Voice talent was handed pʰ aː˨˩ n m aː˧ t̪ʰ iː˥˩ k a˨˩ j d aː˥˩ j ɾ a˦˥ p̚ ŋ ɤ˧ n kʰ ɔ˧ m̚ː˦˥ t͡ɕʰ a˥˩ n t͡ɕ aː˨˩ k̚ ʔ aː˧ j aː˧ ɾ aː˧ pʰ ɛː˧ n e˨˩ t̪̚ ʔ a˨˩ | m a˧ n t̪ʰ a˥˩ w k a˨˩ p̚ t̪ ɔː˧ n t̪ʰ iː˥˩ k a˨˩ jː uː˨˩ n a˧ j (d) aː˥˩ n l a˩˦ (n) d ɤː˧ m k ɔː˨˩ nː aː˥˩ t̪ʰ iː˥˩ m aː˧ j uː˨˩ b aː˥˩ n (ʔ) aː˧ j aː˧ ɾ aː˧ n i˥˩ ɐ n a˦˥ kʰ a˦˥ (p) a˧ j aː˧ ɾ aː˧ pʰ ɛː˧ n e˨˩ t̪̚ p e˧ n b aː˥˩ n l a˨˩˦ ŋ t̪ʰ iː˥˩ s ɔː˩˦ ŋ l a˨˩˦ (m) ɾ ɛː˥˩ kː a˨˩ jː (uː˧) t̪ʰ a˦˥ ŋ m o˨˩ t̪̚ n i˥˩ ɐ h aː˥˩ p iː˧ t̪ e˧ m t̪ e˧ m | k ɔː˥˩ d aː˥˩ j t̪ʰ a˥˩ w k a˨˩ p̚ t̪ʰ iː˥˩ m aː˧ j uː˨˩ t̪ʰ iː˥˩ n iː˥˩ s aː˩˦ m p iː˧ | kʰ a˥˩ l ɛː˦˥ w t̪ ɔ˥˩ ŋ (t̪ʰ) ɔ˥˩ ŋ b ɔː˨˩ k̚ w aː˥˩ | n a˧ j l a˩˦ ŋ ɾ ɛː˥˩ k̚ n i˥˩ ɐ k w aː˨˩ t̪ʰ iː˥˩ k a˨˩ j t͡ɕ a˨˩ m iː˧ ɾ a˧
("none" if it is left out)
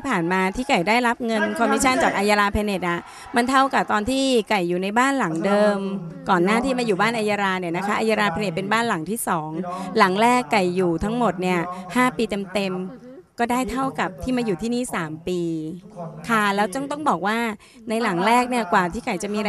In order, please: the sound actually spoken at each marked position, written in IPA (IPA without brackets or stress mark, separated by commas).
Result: b, ŋ, ʔ, ʔ, ŋ, uː˨˩, t̪